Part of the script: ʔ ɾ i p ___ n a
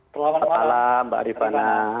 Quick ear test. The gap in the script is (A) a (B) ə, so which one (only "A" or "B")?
A